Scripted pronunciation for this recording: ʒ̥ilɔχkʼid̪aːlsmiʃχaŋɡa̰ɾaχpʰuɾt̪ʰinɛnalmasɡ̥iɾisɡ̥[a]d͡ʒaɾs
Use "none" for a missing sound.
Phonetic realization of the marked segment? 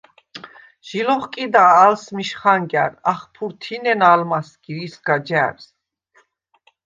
a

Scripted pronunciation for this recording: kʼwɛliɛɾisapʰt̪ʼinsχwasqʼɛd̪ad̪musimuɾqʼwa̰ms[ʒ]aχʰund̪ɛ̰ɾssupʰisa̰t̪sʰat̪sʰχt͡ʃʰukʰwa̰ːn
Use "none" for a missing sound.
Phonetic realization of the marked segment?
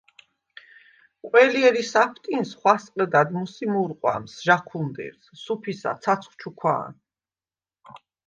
ʒ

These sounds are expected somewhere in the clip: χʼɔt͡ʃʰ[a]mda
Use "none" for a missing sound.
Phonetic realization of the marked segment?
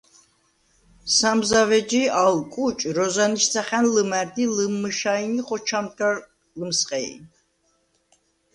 a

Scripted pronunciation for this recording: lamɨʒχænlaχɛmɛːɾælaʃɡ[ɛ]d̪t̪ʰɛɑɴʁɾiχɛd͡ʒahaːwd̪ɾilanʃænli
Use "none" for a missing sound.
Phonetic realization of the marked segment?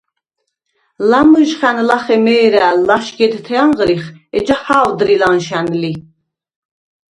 ɛ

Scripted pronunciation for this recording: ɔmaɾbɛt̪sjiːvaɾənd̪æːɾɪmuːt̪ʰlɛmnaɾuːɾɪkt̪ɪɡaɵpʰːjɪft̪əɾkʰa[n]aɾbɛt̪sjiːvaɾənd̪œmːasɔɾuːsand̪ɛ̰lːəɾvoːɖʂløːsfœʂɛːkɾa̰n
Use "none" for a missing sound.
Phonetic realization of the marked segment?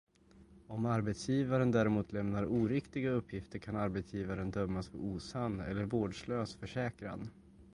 n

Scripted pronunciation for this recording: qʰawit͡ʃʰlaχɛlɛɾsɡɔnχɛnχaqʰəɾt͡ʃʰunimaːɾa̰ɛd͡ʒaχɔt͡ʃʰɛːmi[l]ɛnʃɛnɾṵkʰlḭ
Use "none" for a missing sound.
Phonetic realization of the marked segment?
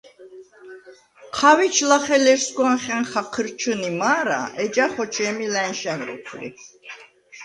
l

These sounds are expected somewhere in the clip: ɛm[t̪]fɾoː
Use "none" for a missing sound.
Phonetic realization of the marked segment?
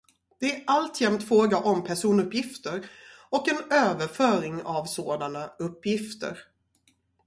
t̪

